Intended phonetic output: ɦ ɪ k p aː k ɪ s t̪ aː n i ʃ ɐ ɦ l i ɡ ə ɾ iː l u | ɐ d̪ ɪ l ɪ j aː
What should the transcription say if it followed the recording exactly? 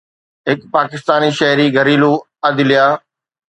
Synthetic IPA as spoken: ɦ ɪ k p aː k ɪ s t̪ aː n i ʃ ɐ ɦ ɾ i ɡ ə ɾ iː l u | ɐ d̪ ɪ l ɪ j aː